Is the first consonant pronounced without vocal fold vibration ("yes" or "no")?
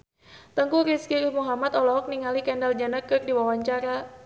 yes